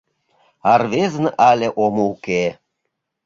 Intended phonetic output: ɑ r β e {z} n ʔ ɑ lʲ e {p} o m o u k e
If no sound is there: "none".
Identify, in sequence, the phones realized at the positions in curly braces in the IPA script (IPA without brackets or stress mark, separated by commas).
z, ʔ